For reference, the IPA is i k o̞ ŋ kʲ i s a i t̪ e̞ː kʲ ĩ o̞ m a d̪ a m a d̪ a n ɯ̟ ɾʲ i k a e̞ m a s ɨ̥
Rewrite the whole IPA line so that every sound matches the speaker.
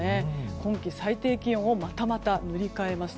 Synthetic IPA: e k õ̞ ŋ kʲ i s a i t̪ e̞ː kʲ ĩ o̞ m a t̪ a m a t̪ a n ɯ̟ ɾʲ i k a e̞ m a s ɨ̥